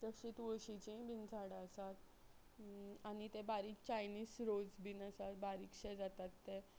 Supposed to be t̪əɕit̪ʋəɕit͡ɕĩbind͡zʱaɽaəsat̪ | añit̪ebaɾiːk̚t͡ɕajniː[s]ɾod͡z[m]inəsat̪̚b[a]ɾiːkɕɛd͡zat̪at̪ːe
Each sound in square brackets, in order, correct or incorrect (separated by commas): correct, incorrect, correct